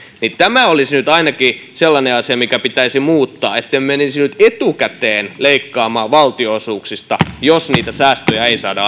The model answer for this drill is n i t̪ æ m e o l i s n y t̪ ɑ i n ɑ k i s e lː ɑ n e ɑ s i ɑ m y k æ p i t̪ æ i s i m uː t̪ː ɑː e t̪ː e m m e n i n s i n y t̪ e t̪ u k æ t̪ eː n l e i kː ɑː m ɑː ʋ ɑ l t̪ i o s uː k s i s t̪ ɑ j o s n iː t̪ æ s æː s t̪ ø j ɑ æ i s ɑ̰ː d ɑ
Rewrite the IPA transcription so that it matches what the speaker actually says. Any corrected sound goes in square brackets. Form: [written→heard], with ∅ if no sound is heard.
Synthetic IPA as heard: n i t̪ æ m [e→æ] o l i s n y t̪ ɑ i n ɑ k i s e lː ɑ n e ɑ s i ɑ m [y→i] k æ p i t̪ æ i s i m uː t̪ː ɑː e t̪ː e m m e n i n s i n y t̪ e t̪ u k æ t̪ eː n l e i kː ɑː m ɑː ʋ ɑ l t̪ i o s uː k s i s t̪ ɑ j o s n iː t̪ æ s æː s t̪ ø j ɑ [æ→e] i s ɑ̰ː d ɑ